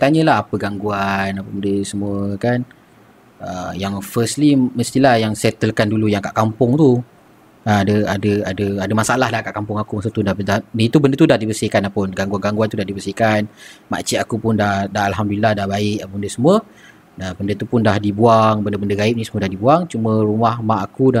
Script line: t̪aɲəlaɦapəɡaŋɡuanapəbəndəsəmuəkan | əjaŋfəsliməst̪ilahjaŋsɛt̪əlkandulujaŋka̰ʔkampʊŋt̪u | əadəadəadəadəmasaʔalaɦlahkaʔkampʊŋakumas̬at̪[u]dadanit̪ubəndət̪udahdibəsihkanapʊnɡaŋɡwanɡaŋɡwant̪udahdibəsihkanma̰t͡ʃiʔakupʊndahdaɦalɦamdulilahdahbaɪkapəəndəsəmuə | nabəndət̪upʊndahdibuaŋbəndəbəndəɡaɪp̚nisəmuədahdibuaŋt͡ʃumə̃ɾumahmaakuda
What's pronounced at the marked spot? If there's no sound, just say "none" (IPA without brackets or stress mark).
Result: u